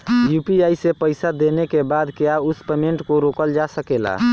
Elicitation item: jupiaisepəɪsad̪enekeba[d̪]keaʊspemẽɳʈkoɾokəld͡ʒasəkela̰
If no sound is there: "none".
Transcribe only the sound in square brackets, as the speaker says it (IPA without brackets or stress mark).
d̪